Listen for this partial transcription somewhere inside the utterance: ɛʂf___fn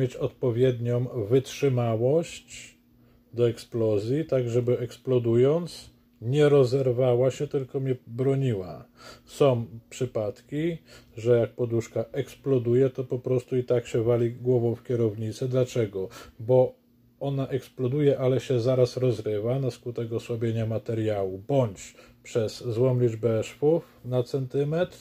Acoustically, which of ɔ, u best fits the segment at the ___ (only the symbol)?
u